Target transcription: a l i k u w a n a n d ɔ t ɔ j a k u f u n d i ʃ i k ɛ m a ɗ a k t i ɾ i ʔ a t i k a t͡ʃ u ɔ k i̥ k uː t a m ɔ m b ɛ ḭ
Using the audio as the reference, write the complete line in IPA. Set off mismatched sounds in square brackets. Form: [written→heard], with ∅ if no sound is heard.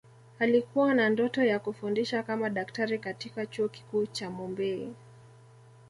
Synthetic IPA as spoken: a l i k u w a n a n d ɔ t ɔ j a k u f u n d i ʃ [i→a] k [ɛ→a] m a ɗ a k t [i→a] ɾ i [ʔ→k] a t i k a t͡ʃ u ɔ k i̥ k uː [t→t͡ʃ] a m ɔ m b ɛ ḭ